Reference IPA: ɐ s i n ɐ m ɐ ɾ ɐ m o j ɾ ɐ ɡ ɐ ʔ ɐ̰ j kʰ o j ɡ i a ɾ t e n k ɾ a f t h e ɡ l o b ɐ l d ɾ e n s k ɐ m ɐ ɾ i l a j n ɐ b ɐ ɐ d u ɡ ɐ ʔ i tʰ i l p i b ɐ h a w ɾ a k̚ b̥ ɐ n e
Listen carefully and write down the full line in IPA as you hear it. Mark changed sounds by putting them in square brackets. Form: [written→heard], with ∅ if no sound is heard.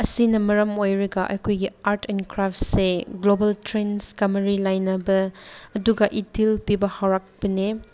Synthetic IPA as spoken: ɐ s i n ɐ m ɐ ɾ ɐ m o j ɾ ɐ ɡ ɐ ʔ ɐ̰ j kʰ o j ɡ i a ɾ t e n k ɾ a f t [h→s] e ɡ l o b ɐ l [d→t] ɾ e n s k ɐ m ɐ ɾ i l a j n ɐ b ɐ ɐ d u ɡ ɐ ʔ i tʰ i l p i b ɐ h a w ɾ a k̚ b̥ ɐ n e